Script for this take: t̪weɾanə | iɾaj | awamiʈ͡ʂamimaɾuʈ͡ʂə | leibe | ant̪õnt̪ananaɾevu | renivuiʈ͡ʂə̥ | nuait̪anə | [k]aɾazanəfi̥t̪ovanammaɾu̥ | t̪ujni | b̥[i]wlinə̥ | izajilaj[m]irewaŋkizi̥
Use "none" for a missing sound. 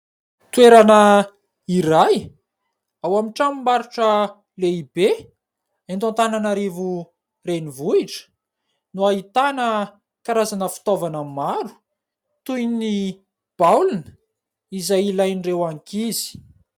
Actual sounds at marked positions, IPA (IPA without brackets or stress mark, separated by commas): k, a, n